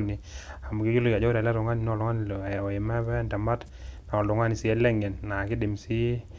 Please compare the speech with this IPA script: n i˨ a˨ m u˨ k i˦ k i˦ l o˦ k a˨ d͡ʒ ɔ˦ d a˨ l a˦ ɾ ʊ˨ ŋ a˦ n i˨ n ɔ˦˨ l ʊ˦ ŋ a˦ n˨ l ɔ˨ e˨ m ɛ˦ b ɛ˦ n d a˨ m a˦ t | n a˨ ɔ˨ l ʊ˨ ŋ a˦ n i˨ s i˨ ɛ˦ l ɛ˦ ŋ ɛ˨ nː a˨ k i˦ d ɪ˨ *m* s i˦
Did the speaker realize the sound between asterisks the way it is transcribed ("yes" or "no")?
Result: yes